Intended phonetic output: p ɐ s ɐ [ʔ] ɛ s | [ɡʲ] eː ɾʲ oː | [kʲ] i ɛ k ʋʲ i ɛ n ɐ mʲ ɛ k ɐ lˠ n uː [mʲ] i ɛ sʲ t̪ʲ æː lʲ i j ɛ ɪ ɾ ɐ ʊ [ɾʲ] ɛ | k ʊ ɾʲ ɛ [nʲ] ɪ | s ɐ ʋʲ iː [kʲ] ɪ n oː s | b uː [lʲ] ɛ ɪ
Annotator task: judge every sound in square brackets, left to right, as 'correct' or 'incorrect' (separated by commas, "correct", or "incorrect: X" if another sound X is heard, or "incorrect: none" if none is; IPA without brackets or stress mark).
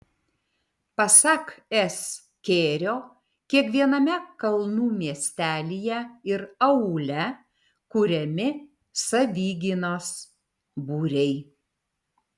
incorrect: k, incorrect: kʲ, correct, correct, incorrect: lʲ, incorrect: mʲ, incorrect: ɡʲ, incorrect: ɾʲ